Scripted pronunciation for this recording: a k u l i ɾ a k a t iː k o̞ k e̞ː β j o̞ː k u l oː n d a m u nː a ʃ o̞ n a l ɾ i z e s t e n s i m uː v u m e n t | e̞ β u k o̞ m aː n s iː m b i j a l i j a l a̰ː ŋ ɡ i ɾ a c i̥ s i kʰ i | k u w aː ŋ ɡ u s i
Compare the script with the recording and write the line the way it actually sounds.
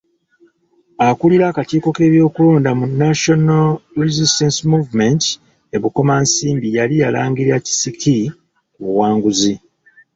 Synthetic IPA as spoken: a k u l i ɾ a k a t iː k o̞ k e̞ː β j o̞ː k u l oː n d a m u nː a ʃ o̞ n a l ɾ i z i s t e n s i m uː v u m e n t | e̞ β u k o̞ m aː n s iː m b i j a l i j a l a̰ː ŋ ɡ i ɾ a c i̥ s i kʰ i | k u w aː ŋ ɡ u z i